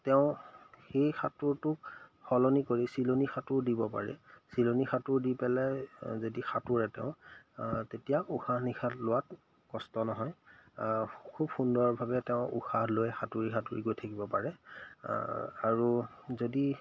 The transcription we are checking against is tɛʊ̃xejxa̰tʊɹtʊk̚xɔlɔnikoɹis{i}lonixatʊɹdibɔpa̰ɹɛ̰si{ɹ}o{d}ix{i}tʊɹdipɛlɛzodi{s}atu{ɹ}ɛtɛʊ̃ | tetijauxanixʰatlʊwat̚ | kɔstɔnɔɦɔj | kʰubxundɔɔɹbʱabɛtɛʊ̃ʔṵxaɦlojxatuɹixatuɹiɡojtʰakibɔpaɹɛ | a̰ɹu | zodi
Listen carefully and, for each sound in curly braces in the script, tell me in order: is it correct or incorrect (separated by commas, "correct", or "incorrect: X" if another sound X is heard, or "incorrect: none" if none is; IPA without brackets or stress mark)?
correct, incorrect: l, incorrect: n, incorrect: a, incorrect: x, correct